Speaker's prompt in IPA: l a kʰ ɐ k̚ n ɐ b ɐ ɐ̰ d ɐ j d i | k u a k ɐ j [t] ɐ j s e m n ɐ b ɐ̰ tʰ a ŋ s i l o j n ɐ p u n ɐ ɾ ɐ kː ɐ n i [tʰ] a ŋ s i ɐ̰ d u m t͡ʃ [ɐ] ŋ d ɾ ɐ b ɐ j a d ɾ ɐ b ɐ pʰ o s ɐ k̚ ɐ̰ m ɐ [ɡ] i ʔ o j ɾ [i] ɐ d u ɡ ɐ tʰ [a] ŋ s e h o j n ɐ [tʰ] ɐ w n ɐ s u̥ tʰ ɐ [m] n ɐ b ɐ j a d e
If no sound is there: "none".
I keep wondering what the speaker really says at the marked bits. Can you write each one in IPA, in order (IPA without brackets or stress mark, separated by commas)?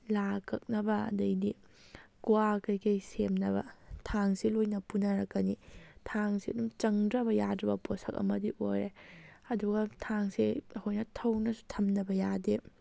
k, tʰ, ɐ, d, e, a, tʰ, m